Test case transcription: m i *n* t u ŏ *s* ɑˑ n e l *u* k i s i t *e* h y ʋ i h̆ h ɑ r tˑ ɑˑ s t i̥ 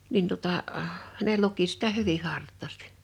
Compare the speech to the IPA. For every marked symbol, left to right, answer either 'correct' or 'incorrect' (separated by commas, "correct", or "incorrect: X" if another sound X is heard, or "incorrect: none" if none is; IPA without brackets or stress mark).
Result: correct, incorrect: t, correct, incorrect: æ